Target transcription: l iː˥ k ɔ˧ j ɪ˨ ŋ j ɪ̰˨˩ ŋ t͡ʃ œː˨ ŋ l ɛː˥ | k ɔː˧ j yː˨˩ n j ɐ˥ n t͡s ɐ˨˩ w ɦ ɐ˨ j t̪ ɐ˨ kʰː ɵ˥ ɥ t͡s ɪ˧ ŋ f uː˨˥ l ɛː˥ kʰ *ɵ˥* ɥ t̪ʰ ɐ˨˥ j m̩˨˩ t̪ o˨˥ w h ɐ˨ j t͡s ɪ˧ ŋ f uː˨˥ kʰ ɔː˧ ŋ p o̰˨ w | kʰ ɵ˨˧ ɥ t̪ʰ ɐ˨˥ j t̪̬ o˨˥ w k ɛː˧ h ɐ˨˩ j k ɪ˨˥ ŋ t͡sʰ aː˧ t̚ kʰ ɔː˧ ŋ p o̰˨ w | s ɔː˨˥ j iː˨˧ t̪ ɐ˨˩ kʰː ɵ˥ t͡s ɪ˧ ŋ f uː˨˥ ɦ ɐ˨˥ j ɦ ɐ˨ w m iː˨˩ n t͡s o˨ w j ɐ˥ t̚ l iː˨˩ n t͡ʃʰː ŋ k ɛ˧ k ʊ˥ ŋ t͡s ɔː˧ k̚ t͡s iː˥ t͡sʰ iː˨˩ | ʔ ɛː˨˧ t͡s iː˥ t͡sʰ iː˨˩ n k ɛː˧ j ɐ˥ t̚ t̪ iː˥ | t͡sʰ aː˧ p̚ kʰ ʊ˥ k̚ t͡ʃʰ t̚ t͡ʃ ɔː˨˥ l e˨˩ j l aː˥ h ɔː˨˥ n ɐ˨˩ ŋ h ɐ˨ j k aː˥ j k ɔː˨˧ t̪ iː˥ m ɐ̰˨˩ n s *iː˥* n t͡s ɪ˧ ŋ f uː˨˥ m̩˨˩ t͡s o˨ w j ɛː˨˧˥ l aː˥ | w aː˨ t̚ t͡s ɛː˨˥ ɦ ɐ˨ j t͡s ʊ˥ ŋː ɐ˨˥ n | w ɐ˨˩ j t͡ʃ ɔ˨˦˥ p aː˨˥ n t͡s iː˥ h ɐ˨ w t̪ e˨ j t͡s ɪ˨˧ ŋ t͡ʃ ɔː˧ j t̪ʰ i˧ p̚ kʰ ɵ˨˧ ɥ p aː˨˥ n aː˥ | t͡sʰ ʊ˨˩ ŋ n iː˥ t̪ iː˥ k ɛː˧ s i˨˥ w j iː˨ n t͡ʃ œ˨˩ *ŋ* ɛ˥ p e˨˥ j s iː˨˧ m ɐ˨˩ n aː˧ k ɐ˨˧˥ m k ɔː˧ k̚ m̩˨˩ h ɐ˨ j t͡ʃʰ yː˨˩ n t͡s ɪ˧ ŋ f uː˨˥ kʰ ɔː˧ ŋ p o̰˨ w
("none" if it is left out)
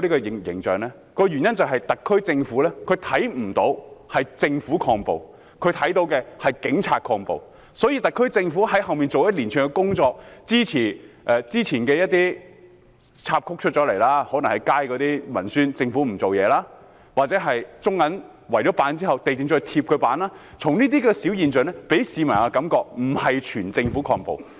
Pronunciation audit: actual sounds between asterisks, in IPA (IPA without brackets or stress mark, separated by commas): ɵ˨˧, yː˥, n